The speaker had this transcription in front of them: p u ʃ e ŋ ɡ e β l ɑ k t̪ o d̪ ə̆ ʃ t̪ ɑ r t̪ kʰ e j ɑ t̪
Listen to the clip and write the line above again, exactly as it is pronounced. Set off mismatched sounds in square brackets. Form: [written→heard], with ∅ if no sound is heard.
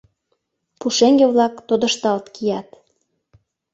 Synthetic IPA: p u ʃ e ŋ ɡ e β l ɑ k t̪ o d̪ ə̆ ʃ t̪ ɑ [r→l] t̪ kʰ [e→i] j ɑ t̪